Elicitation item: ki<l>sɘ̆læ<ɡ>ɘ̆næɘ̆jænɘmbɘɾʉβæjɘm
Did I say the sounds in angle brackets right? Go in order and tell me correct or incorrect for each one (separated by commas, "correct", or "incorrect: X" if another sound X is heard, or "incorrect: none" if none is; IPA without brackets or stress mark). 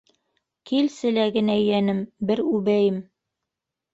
correct, correct